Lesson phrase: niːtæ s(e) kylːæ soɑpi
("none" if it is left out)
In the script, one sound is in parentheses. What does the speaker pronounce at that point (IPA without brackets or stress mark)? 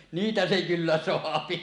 e